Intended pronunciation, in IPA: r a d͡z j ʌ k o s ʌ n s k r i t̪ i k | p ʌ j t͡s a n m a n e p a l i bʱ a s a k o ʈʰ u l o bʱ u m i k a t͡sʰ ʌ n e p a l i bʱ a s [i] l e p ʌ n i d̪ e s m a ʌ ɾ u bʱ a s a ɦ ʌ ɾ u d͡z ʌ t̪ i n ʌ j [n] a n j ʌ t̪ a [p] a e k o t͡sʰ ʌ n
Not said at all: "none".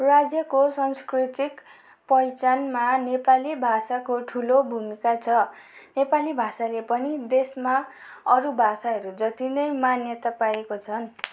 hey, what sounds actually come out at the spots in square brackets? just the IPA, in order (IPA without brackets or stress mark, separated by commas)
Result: a, m, p